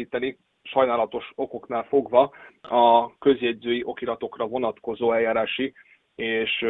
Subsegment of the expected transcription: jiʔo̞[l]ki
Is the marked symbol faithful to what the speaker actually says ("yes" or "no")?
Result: no